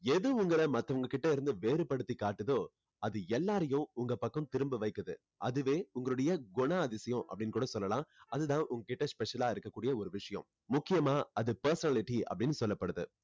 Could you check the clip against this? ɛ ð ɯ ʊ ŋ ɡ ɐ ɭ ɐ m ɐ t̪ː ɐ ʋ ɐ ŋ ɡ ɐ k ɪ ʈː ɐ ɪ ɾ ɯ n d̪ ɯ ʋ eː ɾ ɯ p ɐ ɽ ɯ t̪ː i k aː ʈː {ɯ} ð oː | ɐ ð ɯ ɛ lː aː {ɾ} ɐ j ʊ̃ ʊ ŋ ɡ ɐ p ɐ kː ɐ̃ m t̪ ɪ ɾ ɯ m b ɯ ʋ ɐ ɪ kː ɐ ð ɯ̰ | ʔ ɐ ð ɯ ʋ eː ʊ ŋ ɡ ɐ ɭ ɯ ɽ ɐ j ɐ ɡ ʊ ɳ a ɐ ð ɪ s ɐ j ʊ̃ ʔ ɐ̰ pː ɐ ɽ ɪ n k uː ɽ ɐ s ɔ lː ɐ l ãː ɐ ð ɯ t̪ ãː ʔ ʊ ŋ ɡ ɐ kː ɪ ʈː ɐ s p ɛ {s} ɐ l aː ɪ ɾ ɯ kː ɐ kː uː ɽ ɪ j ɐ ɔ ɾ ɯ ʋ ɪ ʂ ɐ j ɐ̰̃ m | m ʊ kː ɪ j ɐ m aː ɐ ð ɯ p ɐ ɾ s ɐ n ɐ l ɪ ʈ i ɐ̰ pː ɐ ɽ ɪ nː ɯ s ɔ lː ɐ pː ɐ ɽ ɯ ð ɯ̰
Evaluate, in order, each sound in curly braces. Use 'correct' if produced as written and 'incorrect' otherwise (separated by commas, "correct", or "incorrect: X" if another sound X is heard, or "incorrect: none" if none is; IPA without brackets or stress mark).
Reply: correct, correct, incorrect: ʂ